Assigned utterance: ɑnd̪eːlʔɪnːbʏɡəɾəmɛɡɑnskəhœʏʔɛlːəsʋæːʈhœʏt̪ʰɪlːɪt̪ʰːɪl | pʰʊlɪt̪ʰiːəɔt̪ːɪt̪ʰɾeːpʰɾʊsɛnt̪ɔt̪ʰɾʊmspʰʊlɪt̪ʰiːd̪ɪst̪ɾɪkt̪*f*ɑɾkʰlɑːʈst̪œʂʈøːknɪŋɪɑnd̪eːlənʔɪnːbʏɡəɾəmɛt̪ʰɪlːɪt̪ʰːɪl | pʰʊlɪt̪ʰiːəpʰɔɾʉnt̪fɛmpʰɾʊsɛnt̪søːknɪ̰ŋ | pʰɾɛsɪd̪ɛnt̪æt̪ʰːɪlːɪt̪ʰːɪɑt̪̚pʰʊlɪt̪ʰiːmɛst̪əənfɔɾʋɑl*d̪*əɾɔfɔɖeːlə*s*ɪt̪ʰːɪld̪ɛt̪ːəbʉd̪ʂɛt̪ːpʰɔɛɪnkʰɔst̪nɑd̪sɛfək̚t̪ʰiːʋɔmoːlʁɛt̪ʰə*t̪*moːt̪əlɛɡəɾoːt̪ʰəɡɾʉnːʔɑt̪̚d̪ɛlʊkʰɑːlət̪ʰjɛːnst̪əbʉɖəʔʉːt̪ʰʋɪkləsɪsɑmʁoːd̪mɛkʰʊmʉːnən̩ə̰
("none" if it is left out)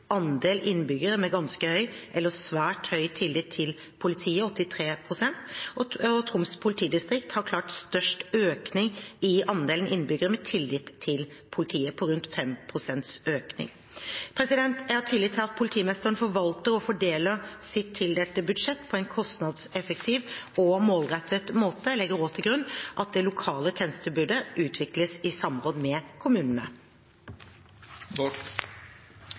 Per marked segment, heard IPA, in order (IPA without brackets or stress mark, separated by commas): h, t̪, s, t̪